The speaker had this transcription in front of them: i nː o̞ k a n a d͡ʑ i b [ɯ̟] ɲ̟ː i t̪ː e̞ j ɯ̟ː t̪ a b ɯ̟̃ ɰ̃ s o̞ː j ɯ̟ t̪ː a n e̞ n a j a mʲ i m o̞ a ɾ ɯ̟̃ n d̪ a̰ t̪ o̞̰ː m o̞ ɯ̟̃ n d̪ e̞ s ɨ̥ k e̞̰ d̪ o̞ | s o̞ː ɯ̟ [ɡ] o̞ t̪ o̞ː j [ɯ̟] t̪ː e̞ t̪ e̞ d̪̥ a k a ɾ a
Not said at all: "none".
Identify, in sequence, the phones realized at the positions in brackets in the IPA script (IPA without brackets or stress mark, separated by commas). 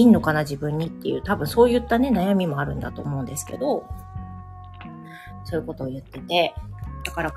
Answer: ɯ̟̃, k, ɯ̟